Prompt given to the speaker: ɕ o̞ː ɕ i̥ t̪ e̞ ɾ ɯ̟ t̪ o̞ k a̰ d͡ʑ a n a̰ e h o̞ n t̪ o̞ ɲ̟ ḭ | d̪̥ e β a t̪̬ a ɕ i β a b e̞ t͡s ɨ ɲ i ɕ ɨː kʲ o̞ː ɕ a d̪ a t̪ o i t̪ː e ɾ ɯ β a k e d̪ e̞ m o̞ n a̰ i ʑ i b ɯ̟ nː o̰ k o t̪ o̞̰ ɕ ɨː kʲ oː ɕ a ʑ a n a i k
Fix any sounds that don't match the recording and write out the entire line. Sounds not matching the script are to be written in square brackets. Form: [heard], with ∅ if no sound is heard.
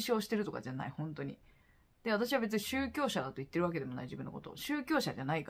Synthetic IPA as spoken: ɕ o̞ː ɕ i̥ t̪ e̞ ɾ ɯ̟ t̪ o̞ k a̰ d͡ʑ a n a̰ [i] h [õ̞] n t̪ o̞ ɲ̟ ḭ | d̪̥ e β a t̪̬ a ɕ i β a b e̞ t͡s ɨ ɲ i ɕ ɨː kʲ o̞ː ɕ a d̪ a t̪ o i t̪ː e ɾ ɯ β a k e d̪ e̞ m o̞ n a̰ i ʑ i b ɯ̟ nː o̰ k o t̪ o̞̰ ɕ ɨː kʲ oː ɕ a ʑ a n a i k

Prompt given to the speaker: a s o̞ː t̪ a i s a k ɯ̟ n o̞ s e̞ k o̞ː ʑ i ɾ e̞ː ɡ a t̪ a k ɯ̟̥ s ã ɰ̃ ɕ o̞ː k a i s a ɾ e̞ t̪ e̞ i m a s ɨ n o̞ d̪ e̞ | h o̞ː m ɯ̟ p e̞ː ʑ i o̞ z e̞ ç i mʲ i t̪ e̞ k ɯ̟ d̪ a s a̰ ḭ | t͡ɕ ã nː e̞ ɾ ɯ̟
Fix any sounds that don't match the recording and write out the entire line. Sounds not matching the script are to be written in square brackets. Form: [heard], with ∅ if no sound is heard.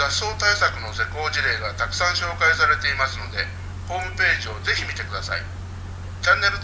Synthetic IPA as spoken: a s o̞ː t̪ a i s a k ɯ̟ n o̞ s e̞ k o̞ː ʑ i ɾ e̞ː ɡ a t̪ a k ɯ̟̥ s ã ɰ̃ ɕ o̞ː k a i s a ɾ e̞ t̪ e̞ i m a s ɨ n o̞ d̪ e̞ | h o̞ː m ɯ̟ p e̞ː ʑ i o̞ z e̞ ç i mʲ i t̪ e̞ k ɯ̟ d̪ a s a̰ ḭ | t͡ɕ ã nː e̞ ɾ ɯ̟

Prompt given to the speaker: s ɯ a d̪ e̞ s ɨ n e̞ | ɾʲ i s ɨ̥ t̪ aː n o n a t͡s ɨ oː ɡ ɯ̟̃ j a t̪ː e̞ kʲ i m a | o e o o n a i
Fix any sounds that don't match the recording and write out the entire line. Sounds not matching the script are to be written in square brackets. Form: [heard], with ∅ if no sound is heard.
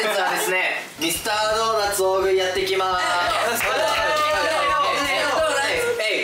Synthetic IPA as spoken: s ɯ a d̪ e̞ s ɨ n e̞ | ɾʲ i s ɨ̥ t̪ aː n o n a t͡s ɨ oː ɡ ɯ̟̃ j a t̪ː e̞ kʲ i m a | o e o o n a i

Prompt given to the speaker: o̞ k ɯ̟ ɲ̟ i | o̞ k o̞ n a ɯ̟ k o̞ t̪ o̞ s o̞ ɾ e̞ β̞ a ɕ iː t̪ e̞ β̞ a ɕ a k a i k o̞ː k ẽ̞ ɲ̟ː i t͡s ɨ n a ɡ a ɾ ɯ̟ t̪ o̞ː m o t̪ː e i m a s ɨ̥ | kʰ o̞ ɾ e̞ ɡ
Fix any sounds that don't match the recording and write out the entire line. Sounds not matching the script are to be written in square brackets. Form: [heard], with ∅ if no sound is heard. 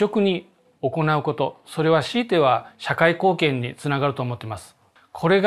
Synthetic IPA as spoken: o̞ k ɯ̟ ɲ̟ i | o̞ k o̞ n a ɯ̟ k o̞ t̪ o̞ s o̞ ɾ e̞ β̞ a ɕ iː t̪ e̞ β̞ a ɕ a k a i k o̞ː k ẽ̞ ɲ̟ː i t͡s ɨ n a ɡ a ɾ ɯ̟ t̪ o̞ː m o t̪ː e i m a s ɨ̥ | kʰ o̞ ɾ e̞ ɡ

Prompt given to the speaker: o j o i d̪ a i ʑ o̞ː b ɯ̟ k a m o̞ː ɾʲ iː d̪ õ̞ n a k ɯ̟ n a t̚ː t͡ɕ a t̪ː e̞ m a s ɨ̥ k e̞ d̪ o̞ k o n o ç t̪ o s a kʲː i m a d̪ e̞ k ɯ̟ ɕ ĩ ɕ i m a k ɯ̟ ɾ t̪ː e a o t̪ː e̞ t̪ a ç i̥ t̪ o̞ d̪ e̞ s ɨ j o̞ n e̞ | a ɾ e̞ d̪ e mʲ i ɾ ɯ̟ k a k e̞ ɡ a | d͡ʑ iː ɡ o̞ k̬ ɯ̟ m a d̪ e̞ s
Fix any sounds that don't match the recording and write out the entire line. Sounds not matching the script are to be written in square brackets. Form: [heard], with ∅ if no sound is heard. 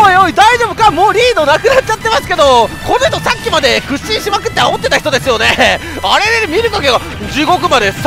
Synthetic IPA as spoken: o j o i d̪ a i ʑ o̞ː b ɯ̟ k a m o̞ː ɾʲ iː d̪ [o̞] n a k ɯ̟ n a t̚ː t͡ɕ a t̪ː e̞ m a s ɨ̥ k e̞ d̪ o̞ k o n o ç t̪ o s a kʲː i m a d̪ e̞ k ɯ̟ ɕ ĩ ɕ i m a k ɯ̟ [∅] t̪ː e a o t̪ː e̞ t̪ a ç i̥ t̪ o̞ d̪ e̞ s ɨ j o̞ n e̞ | a ɾ e̞ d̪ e mʲ i ɾ ɯ̟ k a k e̞ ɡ a | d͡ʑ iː ɡ o̞ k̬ ɯ̟ m a d̪ e̞ s

